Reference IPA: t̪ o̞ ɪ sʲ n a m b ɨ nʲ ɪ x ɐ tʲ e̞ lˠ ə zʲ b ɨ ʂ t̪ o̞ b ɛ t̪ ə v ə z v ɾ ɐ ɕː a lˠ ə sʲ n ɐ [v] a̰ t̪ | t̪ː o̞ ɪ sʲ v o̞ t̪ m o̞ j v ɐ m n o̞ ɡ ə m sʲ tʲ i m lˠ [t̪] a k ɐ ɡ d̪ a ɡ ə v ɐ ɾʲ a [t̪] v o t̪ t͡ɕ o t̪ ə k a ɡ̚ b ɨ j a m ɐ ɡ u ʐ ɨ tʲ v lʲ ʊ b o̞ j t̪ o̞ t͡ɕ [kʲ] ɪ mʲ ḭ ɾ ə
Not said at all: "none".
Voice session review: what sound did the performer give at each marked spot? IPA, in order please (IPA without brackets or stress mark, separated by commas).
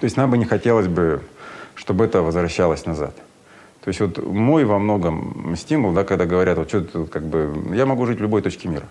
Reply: z, d̪, t̪, kʲ